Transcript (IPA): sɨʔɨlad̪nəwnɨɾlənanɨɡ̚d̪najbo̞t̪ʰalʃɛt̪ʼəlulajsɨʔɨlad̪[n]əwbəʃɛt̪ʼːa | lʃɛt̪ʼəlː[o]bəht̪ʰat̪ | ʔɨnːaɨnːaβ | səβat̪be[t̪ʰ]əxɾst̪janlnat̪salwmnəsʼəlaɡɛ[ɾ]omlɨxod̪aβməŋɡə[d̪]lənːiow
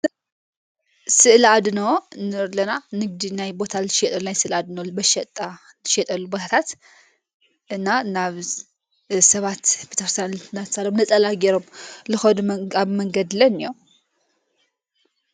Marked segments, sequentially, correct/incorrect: correct, incorrect: u, incorrect: t̪, correct, correct

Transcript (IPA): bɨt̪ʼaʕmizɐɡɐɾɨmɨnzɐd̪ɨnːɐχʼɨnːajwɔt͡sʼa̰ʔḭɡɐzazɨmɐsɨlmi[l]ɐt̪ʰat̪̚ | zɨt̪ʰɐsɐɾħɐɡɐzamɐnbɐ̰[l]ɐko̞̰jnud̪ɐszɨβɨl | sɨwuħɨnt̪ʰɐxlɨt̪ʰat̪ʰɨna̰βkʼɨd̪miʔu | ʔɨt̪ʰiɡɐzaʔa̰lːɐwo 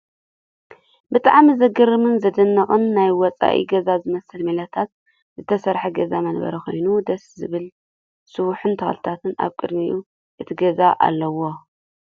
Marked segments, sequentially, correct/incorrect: correct, incorrect: ɾ

